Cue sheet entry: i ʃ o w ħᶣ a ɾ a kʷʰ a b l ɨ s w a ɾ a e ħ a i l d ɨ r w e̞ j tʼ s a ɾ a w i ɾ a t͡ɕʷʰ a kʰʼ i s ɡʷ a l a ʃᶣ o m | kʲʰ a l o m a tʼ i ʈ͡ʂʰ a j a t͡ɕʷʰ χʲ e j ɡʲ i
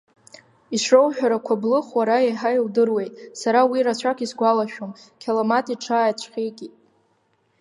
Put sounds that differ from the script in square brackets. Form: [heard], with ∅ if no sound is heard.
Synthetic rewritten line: i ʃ o w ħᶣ a ɾ a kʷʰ a b l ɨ [χ] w a ɾ a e ħ a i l d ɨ r w e̞ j tʼ s a ɾ a w i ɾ a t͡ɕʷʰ a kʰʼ i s ɡʷ a l a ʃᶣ o m | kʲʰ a l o m a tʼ i ʈ͡ʂʰ a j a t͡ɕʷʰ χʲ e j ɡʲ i